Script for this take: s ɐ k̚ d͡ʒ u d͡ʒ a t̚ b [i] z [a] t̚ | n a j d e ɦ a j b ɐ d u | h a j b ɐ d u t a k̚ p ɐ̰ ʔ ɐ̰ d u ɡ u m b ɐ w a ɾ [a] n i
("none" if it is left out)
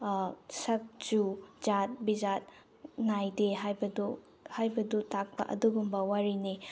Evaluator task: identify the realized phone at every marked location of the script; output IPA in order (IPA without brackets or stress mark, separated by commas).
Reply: i, a, i